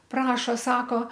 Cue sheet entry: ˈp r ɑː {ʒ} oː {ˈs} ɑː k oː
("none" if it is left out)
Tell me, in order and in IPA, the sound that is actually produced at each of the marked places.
ʃ, s

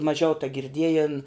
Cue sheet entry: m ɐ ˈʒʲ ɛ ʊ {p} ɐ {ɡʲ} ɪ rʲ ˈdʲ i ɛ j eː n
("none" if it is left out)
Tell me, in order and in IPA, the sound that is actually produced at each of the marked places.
t, ɡʲ

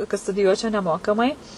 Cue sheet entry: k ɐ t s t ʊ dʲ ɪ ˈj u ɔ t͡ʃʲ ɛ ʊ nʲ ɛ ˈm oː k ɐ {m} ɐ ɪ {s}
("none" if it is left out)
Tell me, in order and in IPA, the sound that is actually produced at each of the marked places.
m, none

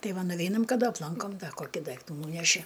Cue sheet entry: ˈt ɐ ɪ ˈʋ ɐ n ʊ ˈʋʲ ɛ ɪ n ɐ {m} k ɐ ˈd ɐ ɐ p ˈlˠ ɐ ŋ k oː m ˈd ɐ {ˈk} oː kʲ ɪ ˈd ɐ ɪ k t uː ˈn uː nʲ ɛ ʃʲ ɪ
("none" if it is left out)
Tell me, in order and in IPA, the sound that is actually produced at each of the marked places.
m, k

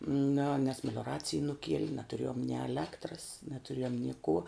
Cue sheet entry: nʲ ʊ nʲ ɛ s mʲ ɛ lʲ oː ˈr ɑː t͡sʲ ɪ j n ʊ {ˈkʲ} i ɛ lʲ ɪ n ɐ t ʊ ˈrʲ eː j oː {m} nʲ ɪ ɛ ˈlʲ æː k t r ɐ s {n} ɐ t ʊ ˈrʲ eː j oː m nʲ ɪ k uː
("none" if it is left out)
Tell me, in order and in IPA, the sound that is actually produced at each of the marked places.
kʲ, m, n

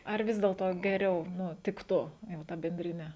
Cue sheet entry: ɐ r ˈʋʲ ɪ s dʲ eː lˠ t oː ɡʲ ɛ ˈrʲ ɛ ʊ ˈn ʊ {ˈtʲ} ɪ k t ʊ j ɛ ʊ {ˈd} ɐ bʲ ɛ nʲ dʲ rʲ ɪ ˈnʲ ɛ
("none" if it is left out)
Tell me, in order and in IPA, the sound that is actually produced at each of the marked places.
tʲ, t

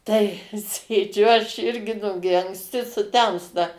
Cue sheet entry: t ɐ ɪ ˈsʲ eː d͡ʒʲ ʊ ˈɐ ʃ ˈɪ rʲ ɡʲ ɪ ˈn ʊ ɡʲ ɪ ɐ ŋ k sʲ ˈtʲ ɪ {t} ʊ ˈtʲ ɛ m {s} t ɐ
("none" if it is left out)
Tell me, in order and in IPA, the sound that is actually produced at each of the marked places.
s, s

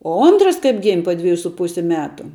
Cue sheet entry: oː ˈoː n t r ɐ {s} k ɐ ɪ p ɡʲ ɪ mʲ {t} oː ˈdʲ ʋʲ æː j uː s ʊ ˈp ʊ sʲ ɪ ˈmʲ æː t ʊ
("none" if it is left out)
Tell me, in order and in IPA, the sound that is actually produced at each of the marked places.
s, p

